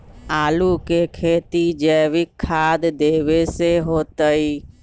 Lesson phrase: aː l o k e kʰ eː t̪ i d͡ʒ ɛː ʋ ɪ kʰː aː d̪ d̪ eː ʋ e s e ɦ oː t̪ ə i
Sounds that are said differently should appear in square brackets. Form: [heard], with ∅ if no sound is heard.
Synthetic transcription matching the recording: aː l [u] k e kʰ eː t̪ i d͡ʒ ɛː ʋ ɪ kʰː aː d̪ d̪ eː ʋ e s e ɦ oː t̪ ə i